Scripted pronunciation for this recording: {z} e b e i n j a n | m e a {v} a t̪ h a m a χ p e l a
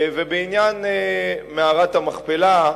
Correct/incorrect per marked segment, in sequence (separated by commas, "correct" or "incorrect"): incorrect, incorrect